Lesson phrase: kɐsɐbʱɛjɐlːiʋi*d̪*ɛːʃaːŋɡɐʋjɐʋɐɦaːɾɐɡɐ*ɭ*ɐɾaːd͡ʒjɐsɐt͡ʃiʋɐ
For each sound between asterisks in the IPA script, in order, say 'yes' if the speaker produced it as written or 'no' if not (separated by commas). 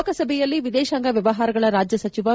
yes, yes